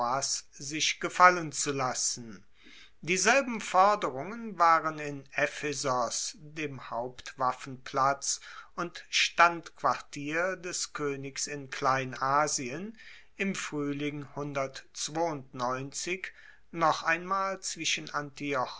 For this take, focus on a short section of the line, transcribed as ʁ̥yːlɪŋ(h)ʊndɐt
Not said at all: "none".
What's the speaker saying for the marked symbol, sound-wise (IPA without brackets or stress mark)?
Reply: h